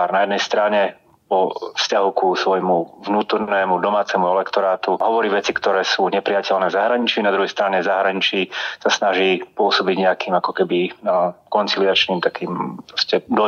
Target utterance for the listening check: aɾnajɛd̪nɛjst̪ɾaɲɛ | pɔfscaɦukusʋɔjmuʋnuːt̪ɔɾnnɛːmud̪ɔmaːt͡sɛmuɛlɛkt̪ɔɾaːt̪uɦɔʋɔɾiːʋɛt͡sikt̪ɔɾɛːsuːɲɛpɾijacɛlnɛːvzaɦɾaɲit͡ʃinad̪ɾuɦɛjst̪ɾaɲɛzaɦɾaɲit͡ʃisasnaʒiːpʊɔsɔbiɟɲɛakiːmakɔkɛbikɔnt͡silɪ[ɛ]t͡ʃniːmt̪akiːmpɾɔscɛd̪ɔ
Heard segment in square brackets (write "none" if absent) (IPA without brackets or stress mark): a